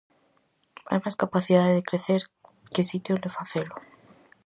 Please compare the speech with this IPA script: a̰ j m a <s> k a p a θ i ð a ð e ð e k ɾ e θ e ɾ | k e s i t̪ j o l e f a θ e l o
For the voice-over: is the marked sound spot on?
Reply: yes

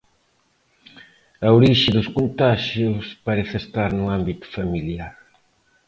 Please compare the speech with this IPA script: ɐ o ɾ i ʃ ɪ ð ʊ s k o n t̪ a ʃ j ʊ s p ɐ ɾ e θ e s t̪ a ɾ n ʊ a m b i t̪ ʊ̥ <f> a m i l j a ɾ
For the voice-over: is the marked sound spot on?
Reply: yes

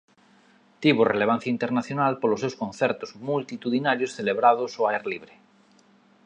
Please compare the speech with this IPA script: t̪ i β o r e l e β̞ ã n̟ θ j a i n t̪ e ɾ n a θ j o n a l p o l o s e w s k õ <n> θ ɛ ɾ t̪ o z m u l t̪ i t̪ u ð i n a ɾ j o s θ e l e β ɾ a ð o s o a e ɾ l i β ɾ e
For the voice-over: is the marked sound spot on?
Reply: yes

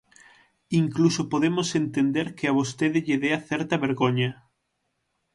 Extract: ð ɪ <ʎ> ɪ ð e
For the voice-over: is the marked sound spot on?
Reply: yes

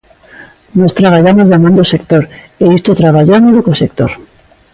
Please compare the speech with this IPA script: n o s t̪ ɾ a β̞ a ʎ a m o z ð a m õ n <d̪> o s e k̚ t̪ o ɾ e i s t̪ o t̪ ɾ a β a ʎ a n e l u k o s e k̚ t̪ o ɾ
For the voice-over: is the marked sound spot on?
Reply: yes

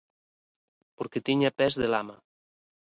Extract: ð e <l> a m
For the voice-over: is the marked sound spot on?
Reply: yes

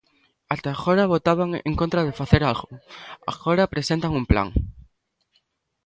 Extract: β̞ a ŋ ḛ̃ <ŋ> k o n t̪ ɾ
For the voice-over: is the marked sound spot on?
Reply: yes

